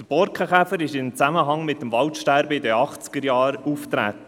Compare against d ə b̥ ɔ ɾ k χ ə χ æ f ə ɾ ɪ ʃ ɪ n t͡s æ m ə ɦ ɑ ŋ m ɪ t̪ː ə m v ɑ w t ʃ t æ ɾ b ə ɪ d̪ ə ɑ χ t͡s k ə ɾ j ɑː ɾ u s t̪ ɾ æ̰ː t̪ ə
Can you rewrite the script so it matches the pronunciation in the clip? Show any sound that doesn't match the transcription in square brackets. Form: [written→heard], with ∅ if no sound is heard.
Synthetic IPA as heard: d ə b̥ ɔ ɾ k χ ə χ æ f ə ɾ ɪ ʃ ɪ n t͡s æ m ə ɦ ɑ ŋ m ɪ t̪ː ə m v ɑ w t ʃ t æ ɾ b ə ɪ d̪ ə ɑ χ t͡s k ə ɾ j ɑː ɾ u [s→f] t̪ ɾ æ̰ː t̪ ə

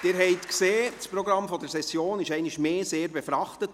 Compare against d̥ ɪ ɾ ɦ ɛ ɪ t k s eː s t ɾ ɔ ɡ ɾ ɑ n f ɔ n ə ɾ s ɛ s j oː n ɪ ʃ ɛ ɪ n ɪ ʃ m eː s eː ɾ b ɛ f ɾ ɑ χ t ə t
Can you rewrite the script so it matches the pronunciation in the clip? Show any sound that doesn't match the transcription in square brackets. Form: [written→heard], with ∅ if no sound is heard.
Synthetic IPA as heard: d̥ ɪ ɾ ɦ ɛ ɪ t k s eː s [t→p] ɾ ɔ ɡ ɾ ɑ [n→m] f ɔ [n→d] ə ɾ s ɛ s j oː n ɪ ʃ ɛ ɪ n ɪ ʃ m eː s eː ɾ b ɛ f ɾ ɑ χ t ə t

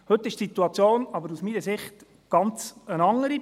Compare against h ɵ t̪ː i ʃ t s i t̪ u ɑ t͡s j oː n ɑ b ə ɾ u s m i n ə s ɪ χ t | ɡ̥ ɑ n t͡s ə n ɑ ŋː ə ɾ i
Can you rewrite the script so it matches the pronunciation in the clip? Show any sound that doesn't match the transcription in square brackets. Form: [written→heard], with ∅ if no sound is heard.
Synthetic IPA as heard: h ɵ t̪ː [i→ɪ] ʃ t s i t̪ u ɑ t͡s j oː n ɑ b ə ɾ u s m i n ə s ɪ χ t | ɡ̥ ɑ n t͡s ə n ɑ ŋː ə ɾ i

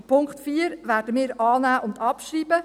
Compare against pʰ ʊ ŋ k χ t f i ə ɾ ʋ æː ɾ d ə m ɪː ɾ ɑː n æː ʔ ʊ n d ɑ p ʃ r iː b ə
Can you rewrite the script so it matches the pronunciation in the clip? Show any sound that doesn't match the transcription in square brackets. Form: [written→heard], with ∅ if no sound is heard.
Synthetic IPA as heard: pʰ ʊ ŋ k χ t f [i→iː] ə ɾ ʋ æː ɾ d ə m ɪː ɾ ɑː n æː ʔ ʊ n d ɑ p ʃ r iː b ə

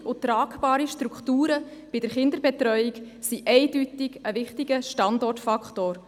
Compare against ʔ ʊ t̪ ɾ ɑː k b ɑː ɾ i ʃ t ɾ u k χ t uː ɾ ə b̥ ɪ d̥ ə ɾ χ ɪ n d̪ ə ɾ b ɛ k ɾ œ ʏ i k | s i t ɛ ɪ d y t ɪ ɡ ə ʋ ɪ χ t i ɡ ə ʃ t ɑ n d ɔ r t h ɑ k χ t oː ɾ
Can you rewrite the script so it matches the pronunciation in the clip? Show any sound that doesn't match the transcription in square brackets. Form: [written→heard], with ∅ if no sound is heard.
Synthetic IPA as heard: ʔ ʊ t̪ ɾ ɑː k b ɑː ɾ i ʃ t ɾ u k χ t uː ɾ ə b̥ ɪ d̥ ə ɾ χ ɪ n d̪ ə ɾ b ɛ [k→t] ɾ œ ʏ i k | s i [t→ʔ] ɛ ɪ d y t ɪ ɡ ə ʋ ɪ χ t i ɡ ə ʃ t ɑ n d ɔ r t [h→f] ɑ k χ t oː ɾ

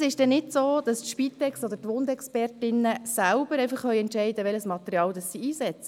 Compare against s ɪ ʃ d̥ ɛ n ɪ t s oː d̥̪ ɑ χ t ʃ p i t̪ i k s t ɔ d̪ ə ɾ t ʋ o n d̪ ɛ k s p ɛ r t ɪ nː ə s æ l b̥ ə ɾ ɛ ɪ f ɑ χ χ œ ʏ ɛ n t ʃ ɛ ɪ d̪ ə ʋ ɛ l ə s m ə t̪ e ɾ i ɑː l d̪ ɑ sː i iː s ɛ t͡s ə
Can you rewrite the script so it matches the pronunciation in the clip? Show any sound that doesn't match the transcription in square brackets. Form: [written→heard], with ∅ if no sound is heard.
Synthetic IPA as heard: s ɪ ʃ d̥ ɛ n ɪ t s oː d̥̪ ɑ [χ→s] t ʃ p i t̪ [i→ɛ] k s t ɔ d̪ ə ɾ t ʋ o n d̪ ɛ k s p ɛ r t ɪ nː ə s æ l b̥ ə ɾ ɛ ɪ f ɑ χ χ œ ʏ ɛ n t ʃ ɛ ɪ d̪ ə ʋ ɛ l ə s m [ə→ɑ] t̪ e ɾ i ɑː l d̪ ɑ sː i iː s ɛ t͡s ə

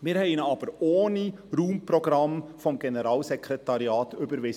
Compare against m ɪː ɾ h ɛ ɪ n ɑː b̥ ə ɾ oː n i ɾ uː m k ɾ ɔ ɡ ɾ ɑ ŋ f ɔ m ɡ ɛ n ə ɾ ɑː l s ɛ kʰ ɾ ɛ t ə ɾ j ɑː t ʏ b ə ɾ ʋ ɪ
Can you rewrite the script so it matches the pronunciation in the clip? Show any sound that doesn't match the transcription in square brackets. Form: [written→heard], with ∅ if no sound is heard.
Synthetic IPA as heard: m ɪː ɾ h ɛ ɪ n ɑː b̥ ə ɾ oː n i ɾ uː m [k→p] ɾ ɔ ɡ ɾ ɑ [ŋ→m] f ɔ m ɡ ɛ n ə ɾ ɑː l s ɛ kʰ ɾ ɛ t [ə→ɑ] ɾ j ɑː t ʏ b ə ɾ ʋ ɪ

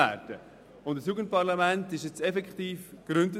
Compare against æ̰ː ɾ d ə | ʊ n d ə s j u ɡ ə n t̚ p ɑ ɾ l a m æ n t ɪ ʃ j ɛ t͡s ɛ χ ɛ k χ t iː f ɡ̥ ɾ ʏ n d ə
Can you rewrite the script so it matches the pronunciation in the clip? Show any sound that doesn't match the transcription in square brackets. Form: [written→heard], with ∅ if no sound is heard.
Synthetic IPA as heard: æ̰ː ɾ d ə | ʊ n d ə s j u ɡ ə n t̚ p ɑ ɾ l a m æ n t ɪ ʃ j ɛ t͡s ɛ [χ→f] ɛ k χ t iː f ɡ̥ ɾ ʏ n d ə

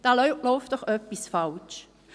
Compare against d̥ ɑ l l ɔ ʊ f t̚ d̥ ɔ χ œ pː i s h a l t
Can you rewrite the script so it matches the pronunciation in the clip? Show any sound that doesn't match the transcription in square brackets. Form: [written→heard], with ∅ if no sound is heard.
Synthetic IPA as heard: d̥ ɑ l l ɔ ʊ f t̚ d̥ ɔ χ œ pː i s [h→f] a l [t→t͡ʃ]

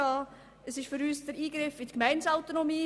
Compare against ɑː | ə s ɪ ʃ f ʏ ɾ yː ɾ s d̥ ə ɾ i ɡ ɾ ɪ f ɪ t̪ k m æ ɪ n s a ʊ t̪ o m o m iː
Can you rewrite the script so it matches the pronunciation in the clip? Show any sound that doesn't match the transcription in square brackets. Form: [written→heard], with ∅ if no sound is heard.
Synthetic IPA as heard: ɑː | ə s ɪ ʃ f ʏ ɾ yː [ɾ→∅] s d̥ ə ɾ [i→iː] ɡ ɾ ɪ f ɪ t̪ k m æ ɪ n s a ʊ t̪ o [m→n] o m iː

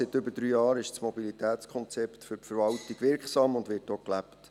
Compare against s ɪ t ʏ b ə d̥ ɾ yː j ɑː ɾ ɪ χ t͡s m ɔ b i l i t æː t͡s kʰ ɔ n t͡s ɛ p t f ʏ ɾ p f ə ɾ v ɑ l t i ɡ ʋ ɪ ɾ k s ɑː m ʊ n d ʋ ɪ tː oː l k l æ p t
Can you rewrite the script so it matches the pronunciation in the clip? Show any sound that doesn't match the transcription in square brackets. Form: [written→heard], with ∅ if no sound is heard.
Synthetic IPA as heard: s ɪ t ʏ b ə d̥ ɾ yː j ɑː ɾ ɪ [χ→ʃ] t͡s m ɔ b i l i t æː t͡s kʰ ɔ n t͡s ɛ p t f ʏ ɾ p f ə ɾ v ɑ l t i ɡ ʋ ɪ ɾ k s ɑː m ʊ n d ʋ ɪ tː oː [l→∅] k l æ p t

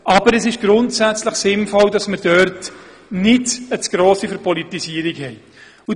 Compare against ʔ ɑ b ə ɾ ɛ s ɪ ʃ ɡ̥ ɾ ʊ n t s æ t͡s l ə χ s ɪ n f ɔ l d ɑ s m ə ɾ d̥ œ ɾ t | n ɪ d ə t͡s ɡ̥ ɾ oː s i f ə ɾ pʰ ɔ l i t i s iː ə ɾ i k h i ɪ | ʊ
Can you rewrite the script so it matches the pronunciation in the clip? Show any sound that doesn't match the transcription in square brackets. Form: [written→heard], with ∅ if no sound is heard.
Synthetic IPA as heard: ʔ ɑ b ə ɾ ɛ s ɪ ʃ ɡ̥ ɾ ʊ n t s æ t͡s l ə χ s ɪ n f ɔ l d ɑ s m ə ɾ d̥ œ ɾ t | n ɪ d ə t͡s ɡ̥ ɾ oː s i f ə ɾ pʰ ɔ l i t i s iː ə ɾ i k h [i→ɛ] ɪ | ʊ

